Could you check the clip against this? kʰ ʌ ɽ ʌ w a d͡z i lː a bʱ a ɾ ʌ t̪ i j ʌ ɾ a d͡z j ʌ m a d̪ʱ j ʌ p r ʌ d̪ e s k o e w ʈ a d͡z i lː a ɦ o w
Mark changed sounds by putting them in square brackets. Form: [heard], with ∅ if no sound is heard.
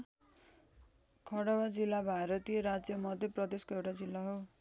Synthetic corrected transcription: kʰ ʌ ɽ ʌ w a d͡z i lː a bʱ a ɾ ʌ t̪ i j ʌ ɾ a d͡z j ʌ m [ʌ] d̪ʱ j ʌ p r ʌ d̪ e s k o e w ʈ a d͡z i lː a ɦ o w

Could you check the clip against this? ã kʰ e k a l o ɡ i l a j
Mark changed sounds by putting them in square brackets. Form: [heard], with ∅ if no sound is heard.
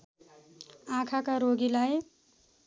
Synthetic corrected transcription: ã kʰ [a] k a [ɾ] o ɡ i l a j

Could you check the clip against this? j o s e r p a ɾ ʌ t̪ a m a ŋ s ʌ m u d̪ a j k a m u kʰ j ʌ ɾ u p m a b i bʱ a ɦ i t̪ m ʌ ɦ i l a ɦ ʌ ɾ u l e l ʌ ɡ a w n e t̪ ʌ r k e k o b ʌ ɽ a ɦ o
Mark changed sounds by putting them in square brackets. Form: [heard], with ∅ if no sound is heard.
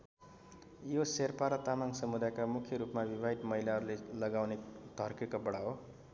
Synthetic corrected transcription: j o s e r p a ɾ ʌ t̪ a m a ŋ s ʌ m u d̪ a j k a m u kʰ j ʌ ɾ u p m a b i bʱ a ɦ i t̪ m ʌ ɦ i l a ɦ ʌ ɾ u l e l ʌ ɡ a w n e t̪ ʌ r k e k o b ʌ ɽ a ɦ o

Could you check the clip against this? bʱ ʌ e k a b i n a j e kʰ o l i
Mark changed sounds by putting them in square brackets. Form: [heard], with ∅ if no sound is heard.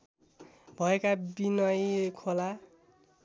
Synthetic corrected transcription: bʱ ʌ e k a b i n [ʌ] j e kʰ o l [a]

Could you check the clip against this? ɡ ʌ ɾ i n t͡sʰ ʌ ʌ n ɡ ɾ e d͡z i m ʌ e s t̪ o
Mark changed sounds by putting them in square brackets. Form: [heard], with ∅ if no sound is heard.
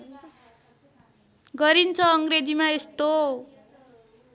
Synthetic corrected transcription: ɡ ʌ ɾ i n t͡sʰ ʌ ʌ [ŋ] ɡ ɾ e d͡z i m [a] e s t̪ o

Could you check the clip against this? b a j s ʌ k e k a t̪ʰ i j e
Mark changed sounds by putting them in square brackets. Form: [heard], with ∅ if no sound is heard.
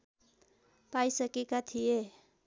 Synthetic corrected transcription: [p] a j s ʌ k e k a t̪ʰ i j e

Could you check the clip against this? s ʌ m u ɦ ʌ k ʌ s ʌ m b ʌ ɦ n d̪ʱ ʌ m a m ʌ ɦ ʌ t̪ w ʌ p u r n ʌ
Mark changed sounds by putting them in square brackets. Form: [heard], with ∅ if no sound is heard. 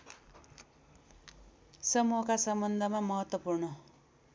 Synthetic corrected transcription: s ʌ m u ɦ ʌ k [a] s ʌ m b ʌ [∅] n d̪ʱ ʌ m a m ʌ ɦ ʌ t̪ w ʌ p u r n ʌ

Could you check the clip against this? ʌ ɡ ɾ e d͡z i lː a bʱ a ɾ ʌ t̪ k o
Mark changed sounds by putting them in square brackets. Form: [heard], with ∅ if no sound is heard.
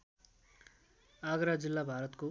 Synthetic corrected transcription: [a] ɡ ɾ [a] d͡z i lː a bʱ a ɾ ʌ t̪ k o

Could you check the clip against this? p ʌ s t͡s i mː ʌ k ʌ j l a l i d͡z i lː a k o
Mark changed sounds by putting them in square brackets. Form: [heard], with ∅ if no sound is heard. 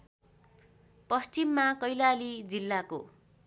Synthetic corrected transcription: p ʌ s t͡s i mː [a] k ʌ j l a l i d͡z i lː a k o

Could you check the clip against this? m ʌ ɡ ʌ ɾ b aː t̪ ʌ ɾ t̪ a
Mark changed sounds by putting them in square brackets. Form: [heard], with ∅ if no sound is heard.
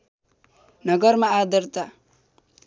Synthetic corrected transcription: [n] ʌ ɡ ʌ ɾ [m] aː [d̪] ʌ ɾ t̪ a

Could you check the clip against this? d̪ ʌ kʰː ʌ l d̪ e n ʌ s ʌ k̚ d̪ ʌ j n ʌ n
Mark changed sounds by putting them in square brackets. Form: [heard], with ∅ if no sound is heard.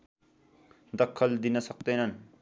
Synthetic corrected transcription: d̪ ʌ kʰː ʌ l d̪ [i] n ʌ s ʌ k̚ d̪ ʌ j n ʌ n

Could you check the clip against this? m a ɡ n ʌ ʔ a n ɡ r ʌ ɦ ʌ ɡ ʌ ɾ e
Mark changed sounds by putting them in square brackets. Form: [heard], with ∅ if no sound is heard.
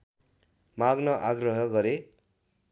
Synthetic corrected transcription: m a ɡ n ʌ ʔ a [∅] ɡ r ʌ ɦ ʌ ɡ ʌ ɾ e

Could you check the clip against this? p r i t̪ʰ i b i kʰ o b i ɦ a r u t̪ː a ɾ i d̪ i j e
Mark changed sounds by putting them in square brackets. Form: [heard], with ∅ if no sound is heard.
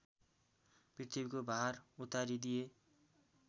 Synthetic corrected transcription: p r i t̪ʰ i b i [k] o b [a] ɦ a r u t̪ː a ɾ i d̪ i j e

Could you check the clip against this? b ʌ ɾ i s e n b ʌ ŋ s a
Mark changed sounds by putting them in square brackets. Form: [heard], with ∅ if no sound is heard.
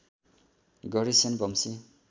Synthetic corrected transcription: [ɡ] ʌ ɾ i s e n b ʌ [m] s [i]

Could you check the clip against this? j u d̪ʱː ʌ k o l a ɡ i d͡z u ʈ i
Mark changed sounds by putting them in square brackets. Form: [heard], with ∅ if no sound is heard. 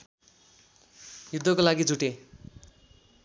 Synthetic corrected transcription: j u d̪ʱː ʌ k o l a ɡ i d͡z u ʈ [e]

